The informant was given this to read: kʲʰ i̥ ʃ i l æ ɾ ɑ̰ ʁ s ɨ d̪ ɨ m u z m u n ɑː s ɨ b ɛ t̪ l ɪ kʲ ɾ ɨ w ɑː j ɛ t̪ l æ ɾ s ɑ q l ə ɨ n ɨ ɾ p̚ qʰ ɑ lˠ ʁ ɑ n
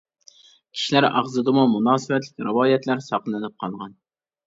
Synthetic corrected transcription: kʲʰ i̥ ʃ i l æ ɾ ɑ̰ ʁ z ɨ d̪ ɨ m u m u n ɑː s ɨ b ɛ t̪ l ɪ kʲ ɾ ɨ w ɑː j ɛ t̪ l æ ɾ s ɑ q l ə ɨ n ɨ p̚ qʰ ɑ lˠ ʁ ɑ n

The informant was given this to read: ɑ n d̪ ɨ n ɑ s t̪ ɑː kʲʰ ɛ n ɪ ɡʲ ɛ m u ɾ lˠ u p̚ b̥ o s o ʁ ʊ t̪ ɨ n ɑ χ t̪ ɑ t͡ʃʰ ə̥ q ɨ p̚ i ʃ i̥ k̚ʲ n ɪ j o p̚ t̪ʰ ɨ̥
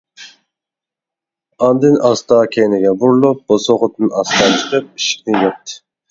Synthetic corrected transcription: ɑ n d̪ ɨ n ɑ s t̪ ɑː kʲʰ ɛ n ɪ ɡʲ ɛ b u ɾ lˠ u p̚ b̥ o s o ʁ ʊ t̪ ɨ n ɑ s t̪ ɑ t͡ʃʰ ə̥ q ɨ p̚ i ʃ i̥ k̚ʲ n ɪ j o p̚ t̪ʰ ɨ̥

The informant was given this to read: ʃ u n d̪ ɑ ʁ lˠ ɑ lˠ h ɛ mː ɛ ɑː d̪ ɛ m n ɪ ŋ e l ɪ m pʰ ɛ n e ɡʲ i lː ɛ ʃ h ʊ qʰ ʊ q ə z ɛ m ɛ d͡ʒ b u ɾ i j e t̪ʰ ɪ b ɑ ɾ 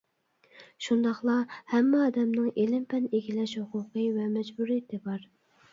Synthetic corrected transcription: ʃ u n d̪ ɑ χ lˠ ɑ h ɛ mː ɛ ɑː d̪ ɛ m n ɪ ŋ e l ɪ m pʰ ɛ n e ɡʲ i l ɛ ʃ h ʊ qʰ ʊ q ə v ɛ m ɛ d͡ʒ b u ɾ i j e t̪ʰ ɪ b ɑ ɾ

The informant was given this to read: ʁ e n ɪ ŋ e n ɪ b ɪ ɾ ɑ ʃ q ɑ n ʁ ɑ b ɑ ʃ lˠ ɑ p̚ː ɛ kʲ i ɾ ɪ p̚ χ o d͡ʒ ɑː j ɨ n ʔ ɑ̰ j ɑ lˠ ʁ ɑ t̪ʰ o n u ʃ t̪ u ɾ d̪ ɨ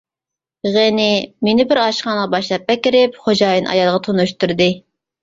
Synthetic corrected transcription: ʁ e n ɪ m e n ɪ b ɪ ɾ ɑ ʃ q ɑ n ʁ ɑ b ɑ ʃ lˠ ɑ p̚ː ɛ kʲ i ɾ ɪ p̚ χ o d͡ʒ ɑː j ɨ n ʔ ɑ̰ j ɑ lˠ ʁ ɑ t̪ʰ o n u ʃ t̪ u ɾ d̪ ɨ

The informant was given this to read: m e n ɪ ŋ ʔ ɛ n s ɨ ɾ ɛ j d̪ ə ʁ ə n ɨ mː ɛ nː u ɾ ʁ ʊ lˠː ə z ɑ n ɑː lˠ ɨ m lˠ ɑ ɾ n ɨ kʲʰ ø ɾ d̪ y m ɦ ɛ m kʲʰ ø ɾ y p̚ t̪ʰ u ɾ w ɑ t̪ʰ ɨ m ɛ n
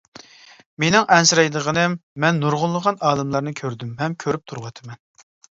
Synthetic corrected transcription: m e n ɪ ŋ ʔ ɛ n s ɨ ɾ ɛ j d̪ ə ʁ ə n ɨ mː ɛ nː u ɾ ʁ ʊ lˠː ə ʁ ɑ n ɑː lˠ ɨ m lˠ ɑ ɾ n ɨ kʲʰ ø ɾ d̪ y m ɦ ɛ m kʲʰ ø ɾ y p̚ t̪ʰ u ɾ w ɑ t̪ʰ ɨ m ɛ n

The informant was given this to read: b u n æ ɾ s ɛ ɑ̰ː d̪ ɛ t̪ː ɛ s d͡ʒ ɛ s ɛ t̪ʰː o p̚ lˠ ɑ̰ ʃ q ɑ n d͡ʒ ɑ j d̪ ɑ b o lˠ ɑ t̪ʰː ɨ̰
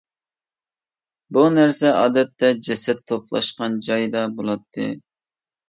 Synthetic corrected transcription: b u n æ ɾ s ɛ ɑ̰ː d̪ ɛ t̪ː ɛ d͡ʒ ɛ s ɛ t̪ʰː o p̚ lˠ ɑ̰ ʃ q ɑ n d͡ʒ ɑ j d̪ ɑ b o lˠ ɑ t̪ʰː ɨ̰

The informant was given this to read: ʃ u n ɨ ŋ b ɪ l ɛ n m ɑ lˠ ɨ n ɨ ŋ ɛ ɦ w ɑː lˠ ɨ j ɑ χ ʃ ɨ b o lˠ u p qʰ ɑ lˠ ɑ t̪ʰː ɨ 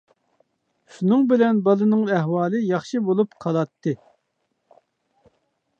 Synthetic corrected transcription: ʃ u n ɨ ŋ b ɪ l ɛ n b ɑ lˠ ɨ n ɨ ŋ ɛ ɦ w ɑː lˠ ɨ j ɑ χ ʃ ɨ b o lˠ u p qʰ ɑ lˠ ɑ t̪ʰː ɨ

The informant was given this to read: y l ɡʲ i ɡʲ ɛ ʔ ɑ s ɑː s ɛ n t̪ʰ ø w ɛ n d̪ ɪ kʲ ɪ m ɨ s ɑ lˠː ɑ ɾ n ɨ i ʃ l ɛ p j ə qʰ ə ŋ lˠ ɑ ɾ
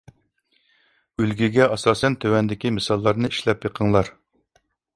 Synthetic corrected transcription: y l ɡʲ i ɡʲ ɛ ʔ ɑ s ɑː s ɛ n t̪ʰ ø w ɛ n d̪ ɪ kʲ i m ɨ s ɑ lˠː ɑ ɾ n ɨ i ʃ l ɛ p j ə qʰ ə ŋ lˠ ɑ ɾ

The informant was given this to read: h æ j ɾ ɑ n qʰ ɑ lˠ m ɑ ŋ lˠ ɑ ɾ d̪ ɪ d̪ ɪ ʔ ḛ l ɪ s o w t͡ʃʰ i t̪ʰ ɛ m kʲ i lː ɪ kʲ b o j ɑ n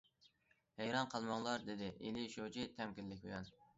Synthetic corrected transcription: h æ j ɾ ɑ n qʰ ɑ lˠ m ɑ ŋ lˠ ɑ ɾ d̪ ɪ d̪ ɪ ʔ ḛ l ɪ ʃ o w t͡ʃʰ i t̪ʰ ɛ m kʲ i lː ɪ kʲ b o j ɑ n

